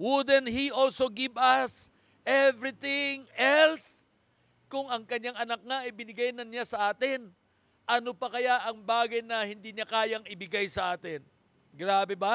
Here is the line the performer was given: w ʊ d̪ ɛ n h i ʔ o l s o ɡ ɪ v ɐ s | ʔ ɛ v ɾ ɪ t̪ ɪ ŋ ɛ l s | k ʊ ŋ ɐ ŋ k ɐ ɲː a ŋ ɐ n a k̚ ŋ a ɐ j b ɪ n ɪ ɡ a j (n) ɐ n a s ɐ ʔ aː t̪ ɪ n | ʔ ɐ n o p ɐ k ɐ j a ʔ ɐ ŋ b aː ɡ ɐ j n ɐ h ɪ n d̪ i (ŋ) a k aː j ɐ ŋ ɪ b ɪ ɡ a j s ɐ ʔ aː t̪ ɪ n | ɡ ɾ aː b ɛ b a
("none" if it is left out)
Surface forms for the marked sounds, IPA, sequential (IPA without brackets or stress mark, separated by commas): n, ɲ